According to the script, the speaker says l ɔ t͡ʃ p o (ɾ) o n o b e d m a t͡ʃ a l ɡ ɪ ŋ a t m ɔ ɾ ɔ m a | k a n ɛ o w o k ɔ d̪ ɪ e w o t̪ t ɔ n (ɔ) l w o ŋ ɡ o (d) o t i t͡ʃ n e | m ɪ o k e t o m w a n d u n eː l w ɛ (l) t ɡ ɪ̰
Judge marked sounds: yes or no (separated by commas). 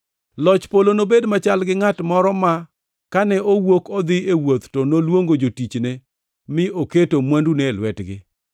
no, no, no, no